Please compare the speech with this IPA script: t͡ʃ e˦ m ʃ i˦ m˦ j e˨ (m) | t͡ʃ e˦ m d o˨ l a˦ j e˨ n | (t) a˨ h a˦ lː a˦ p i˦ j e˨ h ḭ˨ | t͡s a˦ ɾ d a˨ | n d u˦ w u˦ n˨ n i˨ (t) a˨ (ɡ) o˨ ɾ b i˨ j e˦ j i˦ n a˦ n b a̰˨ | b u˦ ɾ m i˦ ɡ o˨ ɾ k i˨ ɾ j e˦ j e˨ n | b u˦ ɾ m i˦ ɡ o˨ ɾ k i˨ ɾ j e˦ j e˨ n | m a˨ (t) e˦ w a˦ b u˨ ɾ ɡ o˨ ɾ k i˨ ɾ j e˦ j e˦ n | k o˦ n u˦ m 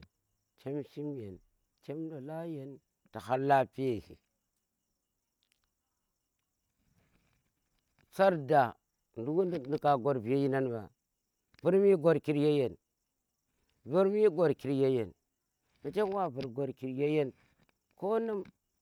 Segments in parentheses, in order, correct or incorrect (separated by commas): incorrect, correct, incorrect, correct, incorrect